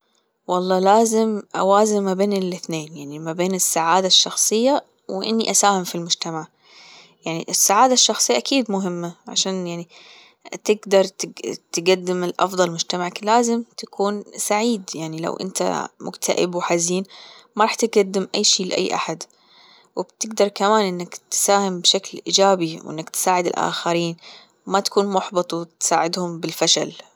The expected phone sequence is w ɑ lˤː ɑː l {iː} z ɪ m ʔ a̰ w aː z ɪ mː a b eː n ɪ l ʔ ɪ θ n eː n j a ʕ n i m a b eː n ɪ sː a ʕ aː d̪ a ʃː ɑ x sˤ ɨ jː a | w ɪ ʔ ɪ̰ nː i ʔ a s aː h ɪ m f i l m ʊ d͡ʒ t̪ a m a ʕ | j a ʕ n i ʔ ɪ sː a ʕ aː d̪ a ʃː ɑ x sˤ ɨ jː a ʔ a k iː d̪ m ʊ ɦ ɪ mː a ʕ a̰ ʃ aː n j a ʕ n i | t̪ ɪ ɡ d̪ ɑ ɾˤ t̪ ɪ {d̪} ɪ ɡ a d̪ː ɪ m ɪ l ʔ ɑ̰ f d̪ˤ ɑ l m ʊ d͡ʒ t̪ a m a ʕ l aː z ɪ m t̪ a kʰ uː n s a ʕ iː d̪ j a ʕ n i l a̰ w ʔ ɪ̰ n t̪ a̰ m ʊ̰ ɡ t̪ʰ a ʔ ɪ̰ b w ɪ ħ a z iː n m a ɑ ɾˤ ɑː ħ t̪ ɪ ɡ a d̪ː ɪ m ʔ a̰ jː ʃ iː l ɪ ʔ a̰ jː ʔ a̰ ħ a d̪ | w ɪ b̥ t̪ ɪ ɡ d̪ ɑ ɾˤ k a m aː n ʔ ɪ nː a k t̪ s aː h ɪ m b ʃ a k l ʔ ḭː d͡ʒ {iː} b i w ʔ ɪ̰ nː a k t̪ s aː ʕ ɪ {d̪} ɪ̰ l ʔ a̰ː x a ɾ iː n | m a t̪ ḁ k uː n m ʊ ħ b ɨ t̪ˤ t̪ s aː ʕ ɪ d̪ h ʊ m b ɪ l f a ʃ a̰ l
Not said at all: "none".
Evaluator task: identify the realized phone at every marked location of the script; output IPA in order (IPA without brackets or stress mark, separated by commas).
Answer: aː, t̪, aː, d̪